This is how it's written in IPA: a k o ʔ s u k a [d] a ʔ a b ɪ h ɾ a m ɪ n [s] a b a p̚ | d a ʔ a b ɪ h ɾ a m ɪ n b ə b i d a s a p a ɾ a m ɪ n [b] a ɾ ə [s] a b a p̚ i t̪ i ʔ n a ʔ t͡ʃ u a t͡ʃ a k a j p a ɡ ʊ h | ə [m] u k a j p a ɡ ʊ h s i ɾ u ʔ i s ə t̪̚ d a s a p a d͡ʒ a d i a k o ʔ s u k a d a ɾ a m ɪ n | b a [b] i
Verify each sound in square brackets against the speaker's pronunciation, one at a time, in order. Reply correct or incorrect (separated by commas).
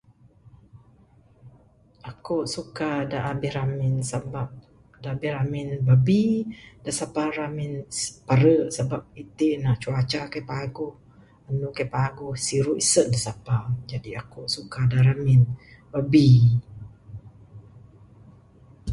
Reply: correct, correct, incorrect, correct, incorrect, correct